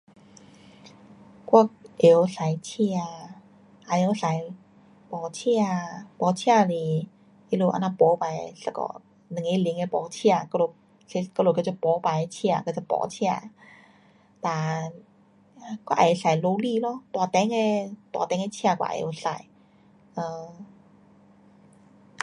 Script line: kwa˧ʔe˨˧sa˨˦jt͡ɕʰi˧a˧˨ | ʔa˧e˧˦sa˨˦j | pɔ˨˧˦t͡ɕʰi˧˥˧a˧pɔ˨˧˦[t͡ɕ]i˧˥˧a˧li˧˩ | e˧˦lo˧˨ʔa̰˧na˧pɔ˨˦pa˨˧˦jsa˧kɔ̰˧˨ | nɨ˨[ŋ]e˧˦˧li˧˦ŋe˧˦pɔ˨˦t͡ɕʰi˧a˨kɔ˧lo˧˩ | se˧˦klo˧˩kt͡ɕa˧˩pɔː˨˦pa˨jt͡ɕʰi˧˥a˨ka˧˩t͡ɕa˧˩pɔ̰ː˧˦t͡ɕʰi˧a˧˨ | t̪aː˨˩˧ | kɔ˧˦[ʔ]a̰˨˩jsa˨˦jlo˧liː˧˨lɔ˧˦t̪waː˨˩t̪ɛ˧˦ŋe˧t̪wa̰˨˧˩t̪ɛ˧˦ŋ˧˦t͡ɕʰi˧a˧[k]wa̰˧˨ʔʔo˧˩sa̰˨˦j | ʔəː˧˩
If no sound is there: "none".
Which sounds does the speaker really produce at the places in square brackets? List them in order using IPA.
t͡ɕʰ, ŋ, ʔ, k

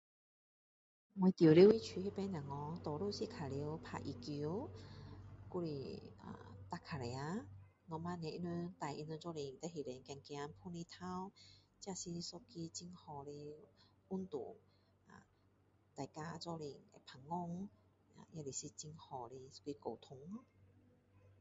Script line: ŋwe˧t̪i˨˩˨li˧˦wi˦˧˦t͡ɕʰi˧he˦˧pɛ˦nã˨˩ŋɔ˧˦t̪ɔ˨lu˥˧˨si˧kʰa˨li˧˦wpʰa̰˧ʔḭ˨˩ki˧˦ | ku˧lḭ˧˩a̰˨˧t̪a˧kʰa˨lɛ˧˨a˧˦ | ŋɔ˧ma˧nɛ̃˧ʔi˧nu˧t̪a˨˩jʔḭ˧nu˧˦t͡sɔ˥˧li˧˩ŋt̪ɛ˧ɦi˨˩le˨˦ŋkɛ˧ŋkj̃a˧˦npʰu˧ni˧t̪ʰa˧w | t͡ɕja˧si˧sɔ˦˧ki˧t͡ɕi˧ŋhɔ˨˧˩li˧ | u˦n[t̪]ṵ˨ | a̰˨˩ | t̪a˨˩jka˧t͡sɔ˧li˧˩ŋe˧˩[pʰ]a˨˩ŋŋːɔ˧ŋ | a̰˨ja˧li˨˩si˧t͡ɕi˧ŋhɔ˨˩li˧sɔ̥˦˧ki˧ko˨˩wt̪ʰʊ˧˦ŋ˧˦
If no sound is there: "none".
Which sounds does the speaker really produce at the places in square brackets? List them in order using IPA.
t̪, pʰ

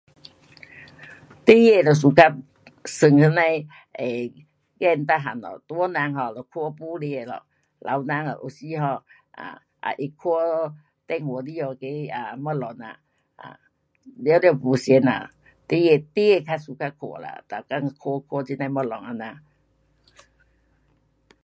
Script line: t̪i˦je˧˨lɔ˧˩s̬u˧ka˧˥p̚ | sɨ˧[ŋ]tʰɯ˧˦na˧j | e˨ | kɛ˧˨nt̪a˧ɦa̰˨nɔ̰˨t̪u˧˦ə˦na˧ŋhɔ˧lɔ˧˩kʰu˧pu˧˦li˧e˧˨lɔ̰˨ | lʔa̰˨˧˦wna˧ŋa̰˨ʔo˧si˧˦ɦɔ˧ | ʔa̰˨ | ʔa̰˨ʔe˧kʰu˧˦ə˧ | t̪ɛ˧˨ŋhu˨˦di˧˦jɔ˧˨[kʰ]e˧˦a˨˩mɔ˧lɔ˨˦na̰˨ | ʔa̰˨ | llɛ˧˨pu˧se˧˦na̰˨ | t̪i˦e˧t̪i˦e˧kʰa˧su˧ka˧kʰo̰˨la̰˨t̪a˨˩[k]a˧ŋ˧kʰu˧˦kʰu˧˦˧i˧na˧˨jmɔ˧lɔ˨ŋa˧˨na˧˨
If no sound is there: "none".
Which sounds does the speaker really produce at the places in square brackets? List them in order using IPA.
ŋ, k, k

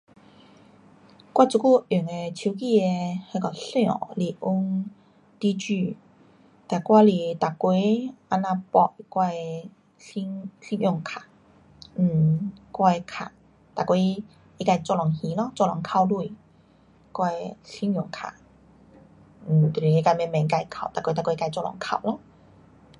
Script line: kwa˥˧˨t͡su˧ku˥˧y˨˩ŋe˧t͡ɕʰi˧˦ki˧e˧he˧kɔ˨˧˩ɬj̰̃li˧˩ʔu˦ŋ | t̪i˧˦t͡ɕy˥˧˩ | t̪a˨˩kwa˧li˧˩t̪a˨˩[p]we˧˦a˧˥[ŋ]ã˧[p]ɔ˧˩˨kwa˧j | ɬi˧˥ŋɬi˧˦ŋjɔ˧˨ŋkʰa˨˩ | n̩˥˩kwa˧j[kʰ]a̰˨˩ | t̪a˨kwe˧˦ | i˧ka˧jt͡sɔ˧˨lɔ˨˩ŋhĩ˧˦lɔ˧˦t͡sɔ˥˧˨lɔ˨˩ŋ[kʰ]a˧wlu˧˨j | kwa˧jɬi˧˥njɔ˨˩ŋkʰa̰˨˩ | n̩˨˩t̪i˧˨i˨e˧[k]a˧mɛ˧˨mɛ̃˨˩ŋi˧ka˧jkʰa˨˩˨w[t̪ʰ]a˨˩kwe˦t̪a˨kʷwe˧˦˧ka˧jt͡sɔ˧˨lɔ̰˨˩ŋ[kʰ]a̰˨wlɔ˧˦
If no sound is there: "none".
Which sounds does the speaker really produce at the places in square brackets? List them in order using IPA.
k, n, p, kʰ, kʰ, k, t̪, kʰ

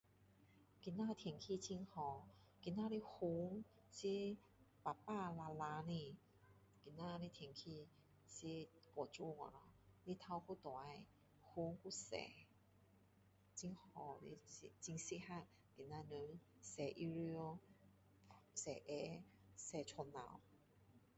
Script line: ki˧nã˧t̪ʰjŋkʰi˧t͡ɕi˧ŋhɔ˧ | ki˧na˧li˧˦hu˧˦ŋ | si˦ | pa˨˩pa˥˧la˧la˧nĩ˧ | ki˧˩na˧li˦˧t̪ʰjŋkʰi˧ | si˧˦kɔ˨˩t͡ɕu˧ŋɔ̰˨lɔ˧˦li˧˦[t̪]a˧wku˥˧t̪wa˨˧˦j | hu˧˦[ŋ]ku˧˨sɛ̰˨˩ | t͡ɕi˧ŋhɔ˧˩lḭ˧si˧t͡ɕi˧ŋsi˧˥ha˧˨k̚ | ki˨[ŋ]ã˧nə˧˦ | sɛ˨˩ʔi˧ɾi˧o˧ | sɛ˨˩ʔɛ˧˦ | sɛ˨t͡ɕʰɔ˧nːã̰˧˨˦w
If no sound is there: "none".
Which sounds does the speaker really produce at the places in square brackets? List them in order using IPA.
t̪ʰ, ŋ, n

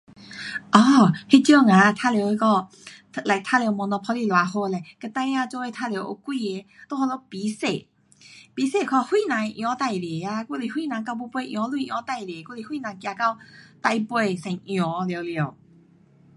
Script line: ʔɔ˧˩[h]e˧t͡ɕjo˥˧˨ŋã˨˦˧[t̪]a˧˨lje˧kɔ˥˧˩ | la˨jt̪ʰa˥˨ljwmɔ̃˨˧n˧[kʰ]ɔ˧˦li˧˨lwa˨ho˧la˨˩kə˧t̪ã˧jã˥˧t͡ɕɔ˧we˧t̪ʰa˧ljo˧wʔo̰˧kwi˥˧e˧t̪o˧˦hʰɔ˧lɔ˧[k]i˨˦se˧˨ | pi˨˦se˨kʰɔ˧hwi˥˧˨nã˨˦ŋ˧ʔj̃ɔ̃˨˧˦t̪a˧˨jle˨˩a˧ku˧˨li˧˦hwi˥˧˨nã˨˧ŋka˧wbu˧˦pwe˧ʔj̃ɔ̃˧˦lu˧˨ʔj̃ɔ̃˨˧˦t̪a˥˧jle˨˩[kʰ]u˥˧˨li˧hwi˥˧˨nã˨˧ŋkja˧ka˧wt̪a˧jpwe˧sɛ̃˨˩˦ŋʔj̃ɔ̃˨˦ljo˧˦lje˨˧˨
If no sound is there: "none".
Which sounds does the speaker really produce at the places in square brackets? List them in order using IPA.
h, t̪ʰ, pʰ, p, k

